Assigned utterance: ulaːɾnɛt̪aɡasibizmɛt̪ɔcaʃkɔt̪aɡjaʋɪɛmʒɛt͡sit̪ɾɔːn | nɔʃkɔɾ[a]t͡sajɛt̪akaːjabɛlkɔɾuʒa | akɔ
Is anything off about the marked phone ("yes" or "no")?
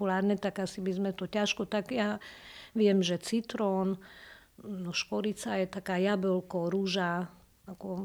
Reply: yes